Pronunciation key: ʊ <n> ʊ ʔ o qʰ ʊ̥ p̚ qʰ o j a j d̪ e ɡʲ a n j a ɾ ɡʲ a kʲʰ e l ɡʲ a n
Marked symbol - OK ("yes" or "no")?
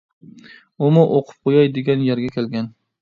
no